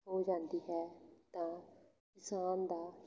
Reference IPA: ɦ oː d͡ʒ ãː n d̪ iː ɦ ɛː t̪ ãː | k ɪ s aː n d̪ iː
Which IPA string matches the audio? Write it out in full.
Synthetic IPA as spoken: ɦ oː d͡ʒ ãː n d̪ iː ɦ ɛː t̪ ãː | k ɪ s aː n d̪ aː